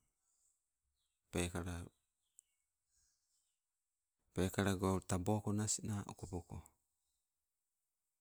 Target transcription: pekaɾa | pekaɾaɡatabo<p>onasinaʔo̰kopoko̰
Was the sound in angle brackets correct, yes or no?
no